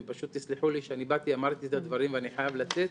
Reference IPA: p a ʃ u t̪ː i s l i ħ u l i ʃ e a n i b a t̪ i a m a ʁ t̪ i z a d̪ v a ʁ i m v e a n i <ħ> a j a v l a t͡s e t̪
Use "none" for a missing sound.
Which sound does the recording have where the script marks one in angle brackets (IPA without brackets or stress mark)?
ħ